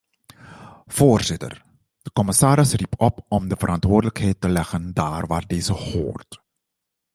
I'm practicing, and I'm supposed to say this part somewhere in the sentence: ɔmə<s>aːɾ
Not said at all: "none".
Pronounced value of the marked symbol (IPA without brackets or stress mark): s